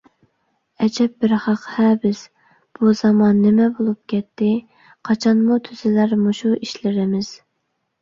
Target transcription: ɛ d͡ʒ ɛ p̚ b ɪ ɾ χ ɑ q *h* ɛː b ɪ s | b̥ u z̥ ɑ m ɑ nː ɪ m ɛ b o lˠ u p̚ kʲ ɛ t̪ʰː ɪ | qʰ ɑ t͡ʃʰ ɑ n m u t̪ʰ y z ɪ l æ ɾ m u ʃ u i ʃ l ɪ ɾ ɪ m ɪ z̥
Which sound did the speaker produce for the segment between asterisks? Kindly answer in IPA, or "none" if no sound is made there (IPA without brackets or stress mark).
h